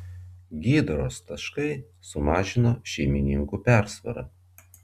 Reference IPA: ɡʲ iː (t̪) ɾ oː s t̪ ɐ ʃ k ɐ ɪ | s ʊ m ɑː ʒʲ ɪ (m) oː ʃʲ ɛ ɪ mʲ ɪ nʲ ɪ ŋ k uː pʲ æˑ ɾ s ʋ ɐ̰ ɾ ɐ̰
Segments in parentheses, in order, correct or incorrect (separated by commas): incorrect, incorrect